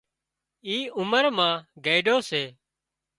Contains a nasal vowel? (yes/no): yes